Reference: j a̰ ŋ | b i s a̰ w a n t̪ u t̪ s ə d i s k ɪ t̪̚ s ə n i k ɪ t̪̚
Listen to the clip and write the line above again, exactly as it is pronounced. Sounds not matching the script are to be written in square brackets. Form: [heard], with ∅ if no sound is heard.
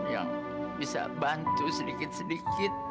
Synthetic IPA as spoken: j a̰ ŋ | b i s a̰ [b] a n t̪ u [∅] s ə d i [∅] k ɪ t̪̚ s ə [d] i k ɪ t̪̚